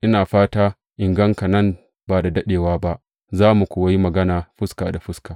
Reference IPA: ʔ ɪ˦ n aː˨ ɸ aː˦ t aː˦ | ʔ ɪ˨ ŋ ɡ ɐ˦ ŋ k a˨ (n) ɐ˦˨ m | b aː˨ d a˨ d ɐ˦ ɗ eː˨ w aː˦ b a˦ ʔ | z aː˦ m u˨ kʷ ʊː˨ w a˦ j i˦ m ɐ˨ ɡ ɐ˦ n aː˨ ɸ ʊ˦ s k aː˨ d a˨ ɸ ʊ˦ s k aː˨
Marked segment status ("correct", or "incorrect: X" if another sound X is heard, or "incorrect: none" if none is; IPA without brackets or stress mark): correct